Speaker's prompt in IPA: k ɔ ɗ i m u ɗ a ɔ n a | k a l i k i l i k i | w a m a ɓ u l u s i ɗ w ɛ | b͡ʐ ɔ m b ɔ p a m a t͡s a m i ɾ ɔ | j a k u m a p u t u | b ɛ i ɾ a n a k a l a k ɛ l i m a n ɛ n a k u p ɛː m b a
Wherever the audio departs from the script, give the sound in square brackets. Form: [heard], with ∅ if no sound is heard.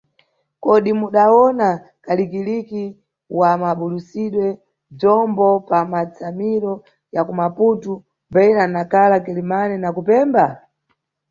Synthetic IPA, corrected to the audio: k ɔ ɗ i m u ɗ a ɔ n a | k a l i k i l i k i | w a m a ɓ u l u s i ɗ w ɛ | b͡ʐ ɔ m b ɔ p a m a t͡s a m i ɾ ɔ | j a k u m a p u t u | b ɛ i ɾ a n a k a l a k ɛ l i m a n ɛ n a k u p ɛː m b a